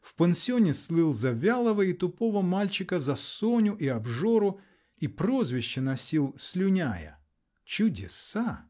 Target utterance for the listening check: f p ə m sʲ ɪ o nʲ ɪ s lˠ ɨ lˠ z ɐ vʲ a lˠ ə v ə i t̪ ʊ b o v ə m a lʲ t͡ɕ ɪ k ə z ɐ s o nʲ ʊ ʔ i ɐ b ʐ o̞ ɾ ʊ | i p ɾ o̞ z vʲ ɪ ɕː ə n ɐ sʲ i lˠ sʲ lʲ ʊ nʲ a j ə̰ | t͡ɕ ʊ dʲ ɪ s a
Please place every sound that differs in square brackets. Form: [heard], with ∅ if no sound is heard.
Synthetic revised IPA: f p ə [n] sʲ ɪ o nʲ ɪ s lˠ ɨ lˠ z ɐ vʲ a lˠ ə v ə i t̪ ʊ [p] o v ə m a lʲ t͡ɕ ɪ k ə z ɐ s o nʲ ʊ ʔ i ɐ b ʐ o̞ ɾ ʊ | i p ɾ o̞ z vʲ ɪ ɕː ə n ɐ sʲ i lˠ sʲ lʲ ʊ nʲ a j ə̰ | t͡ɕ ʊ dʲ ɪ s a